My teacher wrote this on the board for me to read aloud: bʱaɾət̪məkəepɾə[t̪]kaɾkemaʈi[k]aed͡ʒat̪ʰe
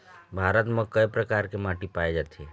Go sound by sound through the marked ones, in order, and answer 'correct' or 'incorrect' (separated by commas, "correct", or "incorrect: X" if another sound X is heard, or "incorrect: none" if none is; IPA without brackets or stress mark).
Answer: incorrect: none, incorrect: p